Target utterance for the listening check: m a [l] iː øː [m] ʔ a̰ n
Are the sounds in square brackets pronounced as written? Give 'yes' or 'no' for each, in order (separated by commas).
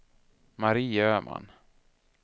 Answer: no, yes